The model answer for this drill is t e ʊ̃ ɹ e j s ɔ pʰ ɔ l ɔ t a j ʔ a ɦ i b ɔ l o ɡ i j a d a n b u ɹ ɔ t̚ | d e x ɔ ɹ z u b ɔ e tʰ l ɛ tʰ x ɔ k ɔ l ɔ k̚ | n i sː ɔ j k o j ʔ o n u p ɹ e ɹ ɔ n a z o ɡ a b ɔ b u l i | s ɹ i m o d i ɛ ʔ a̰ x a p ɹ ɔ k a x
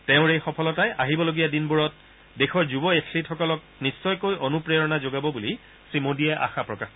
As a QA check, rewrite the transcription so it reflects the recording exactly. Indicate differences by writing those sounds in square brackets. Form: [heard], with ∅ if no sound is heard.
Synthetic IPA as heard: t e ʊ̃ ɹ e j [x] ɔ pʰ ɔ l ɔ t a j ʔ a ɦ i b ɔ l o ɡ i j a d [i] n b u ɹ ɔ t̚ | d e x ɔ ɹ z u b ɔ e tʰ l [i] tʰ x ɔ k ɔ l ɔ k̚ | n i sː ɔ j k o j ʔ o n u p ɹ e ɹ ɔ n a z o ɡ a b ɔ b u l i | s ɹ i m o d i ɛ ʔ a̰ x a p ɹ ɔ k a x